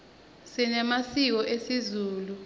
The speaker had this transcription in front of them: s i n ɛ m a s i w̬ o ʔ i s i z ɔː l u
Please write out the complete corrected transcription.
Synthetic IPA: s i n ɛ m a s i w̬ ɔ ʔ e s i z uː l u